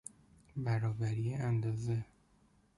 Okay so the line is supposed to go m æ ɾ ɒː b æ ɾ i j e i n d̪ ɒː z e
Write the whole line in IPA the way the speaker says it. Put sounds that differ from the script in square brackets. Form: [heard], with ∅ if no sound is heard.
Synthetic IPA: [b] æ ɾ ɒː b æ ɾ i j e [æ] n d̪ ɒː z e